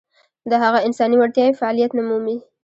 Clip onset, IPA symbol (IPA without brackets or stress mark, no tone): d̪